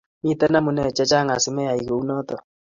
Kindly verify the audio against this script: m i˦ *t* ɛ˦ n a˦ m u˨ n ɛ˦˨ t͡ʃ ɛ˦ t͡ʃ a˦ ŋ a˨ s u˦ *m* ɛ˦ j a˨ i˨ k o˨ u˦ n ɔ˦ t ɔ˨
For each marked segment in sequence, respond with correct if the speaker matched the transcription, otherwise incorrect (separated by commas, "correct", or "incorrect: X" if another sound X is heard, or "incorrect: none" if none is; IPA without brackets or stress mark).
correct, correct